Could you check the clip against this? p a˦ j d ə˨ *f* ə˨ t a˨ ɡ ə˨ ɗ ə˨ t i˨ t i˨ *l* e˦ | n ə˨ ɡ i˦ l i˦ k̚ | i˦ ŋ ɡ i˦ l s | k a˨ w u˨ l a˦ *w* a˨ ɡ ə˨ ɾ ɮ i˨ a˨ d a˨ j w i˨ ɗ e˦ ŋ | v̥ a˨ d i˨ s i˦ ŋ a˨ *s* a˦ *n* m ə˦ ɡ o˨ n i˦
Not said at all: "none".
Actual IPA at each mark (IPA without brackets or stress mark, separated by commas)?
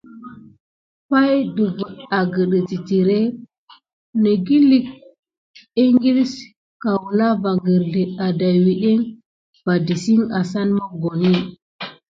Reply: v, ɾ, v, s, n